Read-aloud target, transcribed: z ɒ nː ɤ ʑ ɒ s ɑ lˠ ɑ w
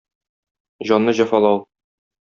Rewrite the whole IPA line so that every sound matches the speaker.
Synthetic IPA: ʑ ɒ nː ɤ ʑ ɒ f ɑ lˠ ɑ w

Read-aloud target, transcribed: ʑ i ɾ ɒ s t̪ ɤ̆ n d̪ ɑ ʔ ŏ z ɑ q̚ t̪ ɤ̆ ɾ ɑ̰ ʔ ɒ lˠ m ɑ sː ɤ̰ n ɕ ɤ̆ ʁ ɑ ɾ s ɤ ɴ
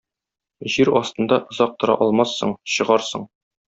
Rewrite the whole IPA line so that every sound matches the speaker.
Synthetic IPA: ʑ i ɾ ɒ s t̪ ɤ̆ n d̪ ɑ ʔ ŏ z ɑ q̚ t̪ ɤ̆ ɾ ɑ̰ ʔ ɒ lˠ m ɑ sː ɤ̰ ɴ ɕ ɤ̆ ʁ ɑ ɾ s ɤ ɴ

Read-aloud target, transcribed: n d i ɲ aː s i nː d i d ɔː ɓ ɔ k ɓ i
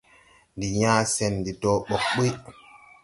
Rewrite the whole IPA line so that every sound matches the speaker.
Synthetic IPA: n d i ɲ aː s ɛ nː d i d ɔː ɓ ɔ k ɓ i

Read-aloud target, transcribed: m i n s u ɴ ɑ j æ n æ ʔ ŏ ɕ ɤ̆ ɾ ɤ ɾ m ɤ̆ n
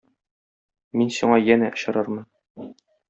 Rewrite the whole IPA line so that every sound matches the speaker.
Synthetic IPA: m i n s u ɴ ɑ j æ n æ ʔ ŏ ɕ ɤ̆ ɾ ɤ ɾ m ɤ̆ n

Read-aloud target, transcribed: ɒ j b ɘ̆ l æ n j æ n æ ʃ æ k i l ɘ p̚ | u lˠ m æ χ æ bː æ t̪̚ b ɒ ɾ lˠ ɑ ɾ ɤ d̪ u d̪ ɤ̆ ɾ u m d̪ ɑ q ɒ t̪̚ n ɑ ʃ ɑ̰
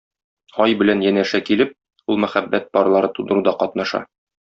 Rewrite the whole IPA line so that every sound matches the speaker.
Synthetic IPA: ɒ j b ɘ̆ l æ n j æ n æ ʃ æ k i l ɘ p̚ | u lˠ m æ χ æ bː æ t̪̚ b ɒ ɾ lˠ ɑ ɾ ɤ t̪ u d̪ ɤ̆ ɾ u d̪ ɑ q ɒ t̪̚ n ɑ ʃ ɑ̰

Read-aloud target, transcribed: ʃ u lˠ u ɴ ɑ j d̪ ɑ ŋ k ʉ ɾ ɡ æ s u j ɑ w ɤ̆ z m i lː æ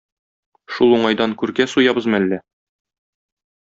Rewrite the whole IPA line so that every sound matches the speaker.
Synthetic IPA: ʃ u lˠ u ɴ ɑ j d̪ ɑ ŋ k ʉ ɾ ɡ æ s u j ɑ b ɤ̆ z m æ lː æ

